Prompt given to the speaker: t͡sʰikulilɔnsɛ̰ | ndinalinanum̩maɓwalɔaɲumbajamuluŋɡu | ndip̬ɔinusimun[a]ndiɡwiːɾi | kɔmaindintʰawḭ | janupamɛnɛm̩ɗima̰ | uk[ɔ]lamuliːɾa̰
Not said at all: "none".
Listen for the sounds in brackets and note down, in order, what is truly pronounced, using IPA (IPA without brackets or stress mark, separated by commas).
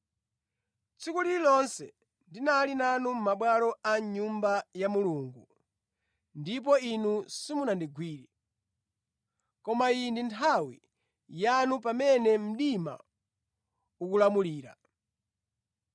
a, u